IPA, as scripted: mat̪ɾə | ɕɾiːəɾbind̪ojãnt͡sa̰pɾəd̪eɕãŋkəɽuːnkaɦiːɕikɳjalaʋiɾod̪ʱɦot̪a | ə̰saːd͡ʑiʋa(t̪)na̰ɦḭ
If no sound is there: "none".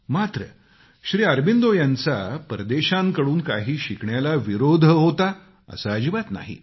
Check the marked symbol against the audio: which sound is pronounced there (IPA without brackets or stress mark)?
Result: t̪